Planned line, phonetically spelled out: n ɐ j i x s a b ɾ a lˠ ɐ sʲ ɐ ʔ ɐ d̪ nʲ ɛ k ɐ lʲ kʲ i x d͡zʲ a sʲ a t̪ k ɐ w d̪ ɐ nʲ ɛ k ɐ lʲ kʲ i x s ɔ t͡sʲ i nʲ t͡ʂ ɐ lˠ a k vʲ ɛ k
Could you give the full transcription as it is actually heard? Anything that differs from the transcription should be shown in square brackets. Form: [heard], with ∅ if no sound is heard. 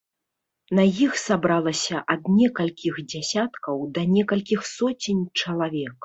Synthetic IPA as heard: n ɐ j i x s a b ɾ a lˠ ɐ sʲ ɐ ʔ ɐ d̪ nʲ ɛ k ɐ lʲ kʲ i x d͡zʲ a sʲ a t̪ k ɐ w d̪ ɐ nʲ ɛ k ɐ lʲ kʲ i x s ɔ t͡sʲ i nʲ t͡ʂ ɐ lˠ a [∅] vʲ ɛ k